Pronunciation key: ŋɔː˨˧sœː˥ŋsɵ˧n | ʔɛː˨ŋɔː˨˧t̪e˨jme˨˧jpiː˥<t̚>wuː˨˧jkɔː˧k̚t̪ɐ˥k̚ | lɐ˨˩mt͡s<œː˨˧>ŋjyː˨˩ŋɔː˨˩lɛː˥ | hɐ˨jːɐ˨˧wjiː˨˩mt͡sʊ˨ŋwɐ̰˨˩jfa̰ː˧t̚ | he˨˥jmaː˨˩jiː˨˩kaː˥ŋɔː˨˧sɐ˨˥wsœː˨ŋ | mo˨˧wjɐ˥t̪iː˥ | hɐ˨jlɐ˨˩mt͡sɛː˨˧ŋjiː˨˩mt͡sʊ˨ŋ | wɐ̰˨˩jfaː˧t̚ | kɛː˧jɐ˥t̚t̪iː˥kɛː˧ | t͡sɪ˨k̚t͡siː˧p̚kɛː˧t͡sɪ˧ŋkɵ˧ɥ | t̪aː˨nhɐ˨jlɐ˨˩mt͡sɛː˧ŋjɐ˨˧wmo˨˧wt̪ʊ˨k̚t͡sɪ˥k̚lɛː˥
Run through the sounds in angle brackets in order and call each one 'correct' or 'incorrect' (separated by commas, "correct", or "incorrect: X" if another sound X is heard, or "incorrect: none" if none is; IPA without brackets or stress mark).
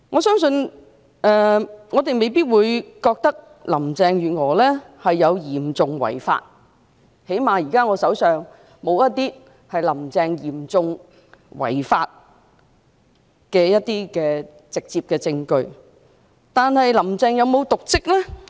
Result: correct, incorrect: ɛː˨˧